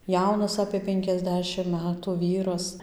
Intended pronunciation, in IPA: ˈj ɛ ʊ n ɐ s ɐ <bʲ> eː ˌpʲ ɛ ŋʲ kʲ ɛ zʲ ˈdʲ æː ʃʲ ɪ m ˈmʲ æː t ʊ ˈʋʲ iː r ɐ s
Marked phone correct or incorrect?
incorrect